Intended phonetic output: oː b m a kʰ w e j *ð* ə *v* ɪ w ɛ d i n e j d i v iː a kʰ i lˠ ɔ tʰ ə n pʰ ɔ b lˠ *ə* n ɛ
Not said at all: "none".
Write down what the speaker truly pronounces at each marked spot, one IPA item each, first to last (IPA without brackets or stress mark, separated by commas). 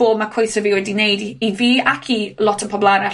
θ, v, a